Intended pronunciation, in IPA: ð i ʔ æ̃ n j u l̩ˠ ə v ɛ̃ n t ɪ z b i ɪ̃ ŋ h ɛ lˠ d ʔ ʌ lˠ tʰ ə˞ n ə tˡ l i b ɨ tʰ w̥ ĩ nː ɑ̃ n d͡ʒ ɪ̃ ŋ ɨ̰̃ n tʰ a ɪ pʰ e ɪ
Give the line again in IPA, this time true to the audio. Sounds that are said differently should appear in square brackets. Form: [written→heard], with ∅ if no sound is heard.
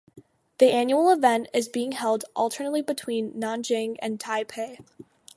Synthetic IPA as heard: ð i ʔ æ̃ n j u l̩ˠ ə v ɛ̃ n t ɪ z b i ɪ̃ ŋ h ɛ lˠ d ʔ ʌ lˠ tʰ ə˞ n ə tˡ l i b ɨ tʰ w̥ ĩ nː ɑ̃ n d͡ʒ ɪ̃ ŋ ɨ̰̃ n tʰ a ɪ pʰ e ɪ

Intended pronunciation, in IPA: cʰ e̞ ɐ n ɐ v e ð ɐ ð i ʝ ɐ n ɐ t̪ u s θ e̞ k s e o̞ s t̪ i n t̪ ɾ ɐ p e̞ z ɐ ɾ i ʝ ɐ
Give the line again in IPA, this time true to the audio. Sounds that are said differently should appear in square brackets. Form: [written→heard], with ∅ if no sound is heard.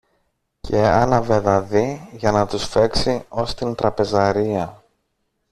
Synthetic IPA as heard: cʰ e̞ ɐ n ɐ v e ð ɐ ð i ʝ ɐ n ɐ t̪ u s [θ→f] e̞ k s [e→i] o̞ s t̪ i n t̪ ɾ ɐ p e̞ z ɐ ɾ i [ʝ→∅] ɐ

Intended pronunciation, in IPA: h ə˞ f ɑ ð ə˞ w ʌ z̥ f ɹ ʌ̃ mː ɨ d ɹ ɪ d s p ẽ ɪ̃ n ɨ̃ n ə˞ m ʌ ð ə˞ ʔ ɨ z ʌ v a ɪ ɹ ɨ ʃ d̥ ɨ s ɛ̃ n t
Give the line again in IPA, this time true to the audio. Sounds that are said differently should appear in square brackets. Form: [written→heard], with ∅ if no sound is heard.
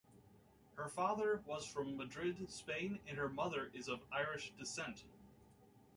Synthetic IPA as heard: h ə˞ f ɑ ð ə˞ w ʌ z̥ f ɹ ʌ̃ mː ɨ d ɹ ɪ d s p ẽ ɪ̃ n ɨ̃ n ə˞ m ʌ ð ə˞ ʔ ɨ z ʌ v a ɪ ɹ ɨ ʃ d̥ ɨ s ɛ̃ n t

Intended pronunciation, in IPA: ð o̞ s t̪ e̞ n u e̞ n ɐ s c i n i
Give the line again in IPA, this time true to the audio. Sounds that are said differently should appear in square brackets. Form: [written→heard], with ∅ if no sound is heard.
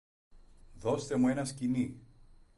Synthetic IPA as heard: ð o̞ s t̪ e̞ [n→m] u e̞ n ɐ s c i n i

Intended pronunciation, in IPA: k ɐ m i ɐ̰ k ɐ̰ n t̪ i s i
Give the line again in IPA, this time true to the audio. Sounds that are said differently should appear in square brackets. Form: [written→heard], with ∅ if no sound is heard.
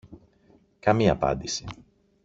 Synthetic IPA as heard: k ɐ m i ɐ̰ [k→p] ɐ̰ n [t̪→d̪] i s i

